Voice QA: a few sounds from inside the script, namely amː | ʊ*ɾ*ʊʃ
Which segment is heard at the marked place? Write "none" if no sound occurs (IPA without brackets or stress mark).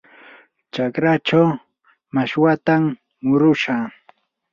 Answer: ɾ